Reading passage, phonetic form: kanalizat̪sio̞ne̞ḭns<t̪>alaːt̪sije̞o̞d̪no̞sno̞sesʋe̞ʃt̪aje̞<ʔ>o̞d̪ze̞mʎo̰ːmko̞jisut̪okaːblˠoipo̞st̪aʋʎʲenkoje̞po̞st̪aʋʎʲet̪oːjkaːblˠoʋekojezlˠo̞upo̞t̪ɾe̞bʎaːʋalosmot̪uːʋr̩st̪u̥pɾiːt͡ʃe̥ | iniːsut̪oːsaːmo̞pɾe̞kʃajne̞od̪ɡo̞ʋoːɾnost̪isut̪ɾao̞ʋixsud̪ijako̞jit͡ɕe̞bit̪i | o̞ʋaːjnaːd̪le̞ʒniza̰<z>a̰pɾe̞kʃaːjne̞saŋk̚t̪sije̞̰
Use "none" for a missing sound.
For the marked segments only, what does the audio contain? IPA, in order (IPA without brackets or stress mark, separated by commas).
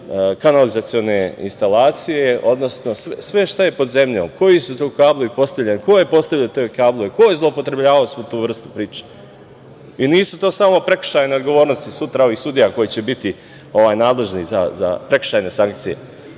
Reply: t̪, p, z